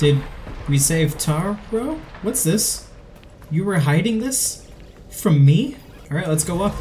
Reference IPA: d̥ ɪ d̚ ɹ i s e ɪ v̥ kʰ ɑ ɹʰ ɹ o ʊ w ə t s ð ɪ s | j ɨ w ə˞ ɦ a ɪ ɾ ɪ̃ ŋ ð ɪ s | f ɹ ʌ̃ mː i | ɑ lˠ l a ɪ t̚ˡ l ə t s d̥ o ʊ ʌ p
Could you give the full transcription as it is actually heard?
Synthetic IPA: d̥ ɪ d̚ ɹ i s e ɪ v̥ tʰ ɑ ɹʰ ɹ o ʊ w ʌ t s ð ɪ s | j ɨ w ə˞ ɦ a ɪ ɾ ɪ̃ ŋ ð ɪ s | f ɹ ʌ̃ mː i | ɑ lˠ ɹ a ɪ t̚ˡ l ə t s ɡ̥ o ʊ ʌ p

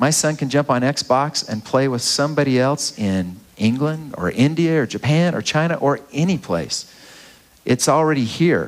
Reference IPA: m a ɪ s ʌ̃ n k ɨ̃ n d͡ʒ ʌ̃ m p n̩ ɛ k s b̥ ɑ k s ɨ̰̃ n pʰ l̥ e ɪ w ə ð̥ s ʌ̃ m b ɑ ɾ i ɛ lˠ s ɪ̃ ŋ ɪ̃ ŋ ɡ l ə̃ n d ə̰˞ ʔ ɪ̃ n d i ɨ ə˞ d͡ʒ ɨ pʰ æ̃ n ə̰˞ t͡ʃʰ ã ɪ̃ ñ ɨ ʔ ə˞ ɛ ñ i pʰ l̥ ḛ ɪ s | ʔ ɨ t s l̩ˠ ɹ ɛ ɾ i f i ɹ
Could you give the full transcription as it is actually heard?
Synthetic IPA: m a ɪ s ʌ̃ n k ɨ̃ n d͡ʒ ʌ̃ m p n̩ ɛ k s b̥ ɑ k s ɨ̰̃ n pʰ l̥ e ɪ w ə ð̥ s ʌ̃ m b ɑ ɾ i ɛ lˠ s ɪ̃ n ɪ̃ ŋ ɡ l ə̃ n d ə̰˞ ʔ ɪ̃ n d i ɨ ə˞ d͡ʒ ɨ pʰ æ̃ n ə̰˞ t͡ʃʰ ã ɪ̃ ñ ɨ ʔ ə˞ ɛ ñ i pʰ l̥ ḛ ɪ s | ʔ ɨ t s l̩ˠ ɹ ɛ ɾ i h i ɹ

